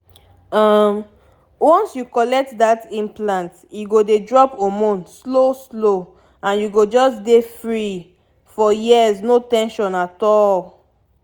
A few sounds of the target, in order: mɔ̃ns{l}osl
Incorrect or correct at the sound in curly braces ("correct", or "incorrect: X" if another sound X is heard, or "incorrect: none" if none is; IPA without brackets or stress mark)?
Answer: correct